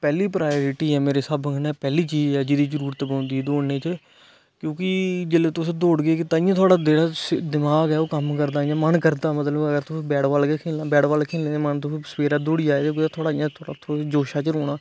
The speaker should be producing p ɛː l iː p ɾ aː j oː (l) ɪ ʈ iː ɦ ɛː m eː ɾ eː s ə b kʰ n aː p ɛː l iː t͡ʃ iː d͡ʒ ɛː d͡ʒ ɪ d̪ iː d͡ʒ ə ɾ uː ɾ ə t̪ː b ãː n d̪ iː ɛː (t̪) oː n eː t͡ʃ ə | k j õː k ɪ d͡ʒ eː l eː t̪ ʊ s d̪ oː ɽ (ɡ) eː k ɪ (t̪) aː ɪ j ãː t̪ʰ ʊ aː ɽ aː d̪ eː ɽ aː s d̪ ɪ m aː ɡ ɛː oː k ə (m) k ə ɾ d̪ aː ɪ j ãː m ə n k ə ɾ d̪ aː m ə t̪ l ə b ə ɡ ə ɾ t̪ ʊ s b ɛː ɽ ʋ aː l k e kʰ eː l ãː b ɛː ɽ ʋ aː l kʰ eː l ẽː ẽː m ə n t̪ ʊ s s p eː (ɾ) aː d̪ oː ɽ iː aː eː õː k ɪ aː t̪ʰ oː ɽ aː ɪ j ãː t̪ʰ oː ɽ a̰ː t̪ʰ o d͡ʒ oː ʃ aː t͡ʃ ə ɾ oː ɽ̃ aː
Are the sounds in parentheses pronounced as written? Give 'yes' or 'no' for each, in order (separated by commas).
no, no, yes, yes, yes, yes